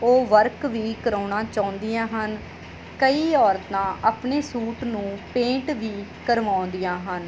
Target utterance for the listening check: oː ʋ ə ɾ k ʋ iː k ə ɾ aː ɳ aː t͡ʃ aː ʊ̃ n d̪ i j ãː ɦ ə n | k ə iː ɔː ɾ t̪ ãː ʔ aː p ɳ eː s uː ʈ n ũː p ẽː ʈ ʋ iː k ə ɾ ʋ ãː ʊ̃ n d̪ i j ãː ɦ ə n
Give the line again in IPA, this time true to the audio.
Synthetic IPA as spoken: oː ʋ ə ɾ k ʋ iː k ə ɾ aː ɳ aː t͡ʃ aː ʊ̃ n d̪ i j ãː ɦ ə n | k ə iː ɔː ɾ t̪ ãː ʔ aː p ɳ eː s uː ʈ n ũː p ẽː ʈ ʋ iː k ə ɾ ʋ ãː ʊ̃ n d̪ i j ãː ɦ ə n

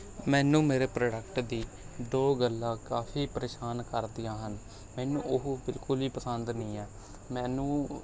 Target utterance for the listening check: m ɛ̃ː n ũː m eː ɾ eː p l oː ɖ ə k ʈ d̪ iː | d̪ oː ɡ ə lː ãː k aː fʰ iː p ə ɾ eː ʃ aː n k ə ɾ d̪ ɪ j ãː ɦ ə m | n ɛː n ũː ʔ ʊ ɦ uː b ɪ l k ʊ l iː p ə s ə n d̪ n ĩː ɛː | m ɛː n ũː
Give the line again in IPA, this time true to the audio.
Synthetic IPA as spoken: m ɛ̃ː n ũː m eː ɾ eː p ɾ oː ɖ ə k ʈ d̪ iː | d̪ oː ɡ ə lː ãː k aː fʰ iː p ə ɾ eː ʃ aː n k ə ɾ d̪ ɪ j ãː ɦ ə n | m ɛː n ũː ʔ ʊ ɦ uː b ɪ l k ʊ l iː p ə s ə n d̪ n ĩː ɛː | m ɛː n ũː

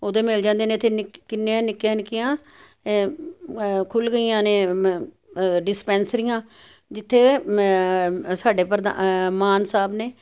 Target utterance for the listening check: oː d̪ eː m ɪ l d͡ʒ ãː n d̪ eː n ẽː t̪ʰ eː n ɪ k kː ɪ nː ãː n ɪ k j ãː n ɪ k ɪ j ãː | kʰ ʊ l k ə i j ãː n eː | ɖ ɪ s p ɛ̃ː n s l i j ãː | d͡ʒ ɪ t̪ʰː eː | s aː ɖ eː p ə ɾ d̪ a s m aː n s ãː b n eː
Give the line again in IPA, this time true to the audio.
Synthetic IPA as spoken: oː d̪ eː m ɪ l d͡ʒ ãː n d̪ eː n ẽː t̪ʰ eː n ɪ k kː ɪ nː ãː n ɪ k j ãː n ɪ k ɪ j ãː | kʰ ʊ l ɡ ə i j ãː n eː | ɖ ɪ s p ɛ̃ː n s ɾ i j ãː | d͡ʒ ɪ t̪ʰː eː | s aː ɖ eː p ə ɾ d̪ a m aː n s aː b n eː

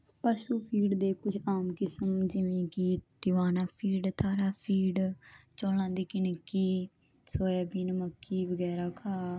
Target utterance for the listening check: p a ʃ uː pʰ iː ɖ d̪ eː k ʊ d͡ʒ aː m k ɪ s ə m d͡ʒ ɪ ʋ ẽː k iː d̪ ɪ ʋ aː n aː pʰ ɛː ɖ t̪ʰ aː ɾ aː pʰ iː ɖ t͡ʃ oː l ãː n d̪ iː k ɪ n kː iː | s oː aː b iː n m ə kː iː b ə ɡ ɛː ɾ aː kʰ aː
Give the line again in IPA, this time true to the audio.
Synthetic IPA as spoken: p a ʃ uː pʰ iː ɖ d̪ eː k ʊ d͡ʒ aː m k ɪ s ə m d͡ʒ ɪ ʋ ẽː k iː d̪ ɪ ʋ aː n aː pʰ iː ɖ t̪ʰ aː ɾ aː pʰ iː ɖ t͡ʃ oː l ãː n d̪ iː k ɪ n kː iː | s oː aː b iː n m ə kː iː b ə ɡ ɛː ɾ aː kʰ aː

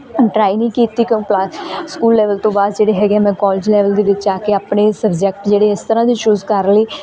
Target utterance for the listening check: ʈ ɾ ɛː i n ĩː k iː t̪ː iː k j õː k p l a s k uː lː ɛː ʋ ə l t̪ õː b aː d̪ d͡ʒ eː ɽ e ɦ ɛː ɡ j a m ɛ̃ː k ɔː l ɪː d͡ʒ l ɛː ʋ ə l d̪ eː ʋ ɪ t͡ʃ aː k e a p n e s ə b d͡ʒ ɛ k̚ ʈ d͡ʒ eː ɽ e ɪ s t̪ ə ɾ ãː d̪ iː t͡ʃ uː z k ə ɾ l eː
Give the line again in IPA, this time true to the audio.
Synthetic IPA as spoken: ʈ ɾ aː i n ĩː k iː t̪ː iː k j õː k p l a s k uː lː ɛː ʋ ə l t̪ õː b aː d̪ d͡ʒ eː ɽ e ɦ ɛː ɡ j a m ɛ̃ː k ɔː l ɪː d͡ʒ l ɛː ʋ ə l d̪ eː ʋ ɪ t͡ʃ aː k e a p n e s ə b d͡ʒ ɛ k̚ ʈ d͡ʒ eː ɽ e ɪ s t̪ ə ɾ ãː d̪ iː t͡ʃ uː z k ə ɾ l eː

